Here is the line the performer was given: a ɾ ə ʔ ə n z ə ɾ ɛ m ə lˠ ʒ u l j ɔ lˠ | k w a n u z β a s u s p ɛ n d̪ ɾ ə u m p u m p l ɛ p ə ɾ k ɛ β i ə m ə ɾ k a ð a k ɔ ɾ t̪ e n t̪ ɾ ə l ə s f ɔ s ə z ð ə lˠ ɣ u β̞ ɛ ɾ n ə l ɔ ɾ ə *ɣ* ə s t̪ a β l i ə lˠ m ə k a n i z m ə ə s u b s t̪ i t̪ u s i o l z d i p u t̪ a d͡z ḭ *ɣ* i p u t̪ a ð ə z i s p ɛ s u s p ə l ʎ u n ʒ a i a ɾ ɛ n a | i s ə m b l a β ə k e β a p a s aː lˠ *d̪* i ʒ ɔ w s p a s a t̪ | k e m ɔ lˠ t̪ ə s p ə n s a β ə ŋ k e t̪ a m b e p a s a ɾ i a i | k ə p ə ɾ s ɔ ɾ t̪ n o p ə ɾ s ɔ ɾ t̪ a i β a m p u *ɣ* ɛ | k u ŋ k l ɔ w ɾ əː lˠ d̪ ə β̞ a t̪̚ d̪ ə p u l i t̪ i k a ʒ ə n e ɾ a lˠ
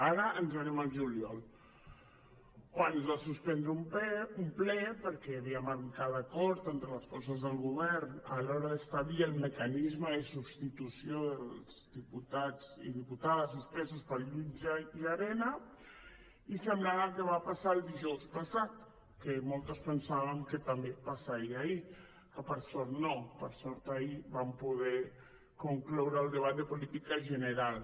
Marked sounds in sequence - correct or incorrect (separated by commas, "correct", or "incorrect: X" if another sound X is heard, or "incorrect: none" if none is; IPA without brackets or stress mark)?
incorrect: ð, incorrect: ð, correct, incorrect: ð